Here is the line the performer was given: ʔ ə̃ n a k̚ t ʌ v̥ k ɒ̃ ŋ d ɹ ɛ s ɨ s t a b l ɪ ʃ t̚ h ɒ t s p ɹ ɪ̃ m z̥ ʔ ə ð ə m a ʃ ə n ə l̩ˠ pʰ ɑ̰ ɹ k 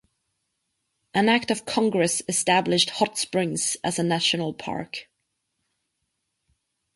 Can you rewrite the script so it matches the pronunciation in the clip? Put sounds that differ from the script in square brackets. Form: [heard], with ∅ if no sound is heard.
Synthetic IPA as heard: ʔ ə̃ n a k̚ t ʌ v̥ [kʰ] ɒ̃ ŋ [ɡ] ɹ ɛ s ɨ s t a b l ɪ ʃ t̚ h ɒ t s p ɹ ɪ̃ [ŋ] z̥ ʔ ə [z] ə [n] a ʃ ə n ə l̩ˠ pʰ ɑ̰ ɹ k